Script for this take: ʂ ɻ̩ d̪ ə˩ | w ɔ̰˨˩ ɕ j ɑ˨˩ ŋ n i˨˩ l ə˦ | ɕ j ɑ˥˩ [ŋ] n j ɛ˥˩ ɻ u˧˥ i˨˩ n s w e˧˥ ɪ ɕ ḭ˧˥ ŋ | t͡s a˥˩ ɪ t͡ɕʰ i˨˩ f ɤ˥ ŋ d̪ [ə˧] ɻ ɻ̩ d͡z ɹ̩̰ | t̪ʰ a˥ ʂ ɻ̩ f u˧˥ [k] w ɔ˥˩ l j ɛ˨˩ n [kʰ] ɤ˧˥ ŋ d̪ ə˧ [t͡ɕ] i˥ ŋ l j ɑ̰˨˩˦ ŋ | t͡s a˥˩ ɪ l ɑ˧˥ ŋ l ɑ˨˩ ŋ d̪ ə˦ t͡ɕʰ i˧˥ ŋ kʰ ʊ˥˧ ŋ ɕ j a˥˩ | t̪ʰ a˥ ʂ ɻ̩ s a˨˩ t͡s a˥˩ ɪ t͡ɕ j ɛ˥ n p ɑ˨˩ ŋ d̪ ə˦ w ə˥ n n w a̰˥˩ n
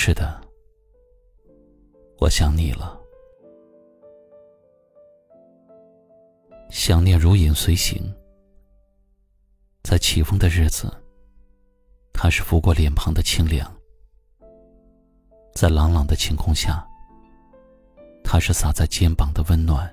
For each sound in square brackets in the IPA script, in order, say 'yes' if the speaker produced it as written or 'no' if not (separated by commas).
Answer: yes, yes, yes, no, no